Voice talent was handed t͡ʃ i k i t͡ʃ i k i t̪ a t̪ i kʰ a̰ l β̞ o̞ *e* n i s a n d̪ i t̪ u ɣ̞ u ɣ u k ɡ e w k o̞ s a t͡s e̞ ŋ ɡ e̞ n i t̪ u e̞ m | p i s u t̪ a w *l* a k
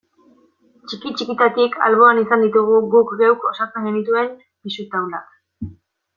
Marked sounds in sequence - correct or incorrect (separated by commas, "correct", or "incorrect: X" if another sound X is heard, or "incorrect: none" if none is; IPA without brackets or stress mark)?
incorrect: a, correct